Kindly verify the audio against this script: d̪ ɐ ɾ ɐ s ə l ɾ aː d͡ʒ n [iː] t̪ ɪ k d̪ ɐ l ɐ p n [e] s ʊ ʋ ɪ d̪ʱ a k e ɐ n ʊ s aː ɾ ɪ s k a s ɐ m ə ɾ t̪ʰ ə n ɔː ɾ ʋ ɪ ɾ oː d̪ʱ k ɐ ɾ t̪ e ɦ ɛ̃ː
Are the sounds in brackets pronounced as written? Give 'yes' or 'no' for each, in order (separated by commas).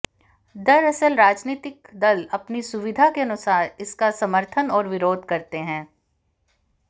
yes, no